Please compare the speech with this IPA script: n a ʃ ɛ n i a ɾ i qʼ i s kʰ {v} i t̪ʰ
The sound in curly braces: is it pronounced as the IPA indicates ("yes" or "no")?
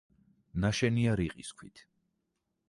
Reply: no